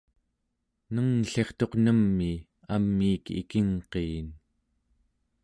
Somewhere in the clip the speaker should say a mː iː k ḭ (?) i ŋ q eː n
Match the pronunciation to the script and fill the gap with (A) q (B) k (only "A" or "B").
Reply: B